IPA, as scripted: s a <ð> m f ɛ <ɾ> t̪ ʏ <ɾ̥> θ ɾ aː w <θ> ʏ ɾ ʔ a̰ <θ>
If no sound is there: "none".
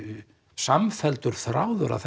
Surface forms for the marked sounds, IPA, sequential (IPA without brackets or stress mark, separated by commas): none, l, ɾ̥, ð, θ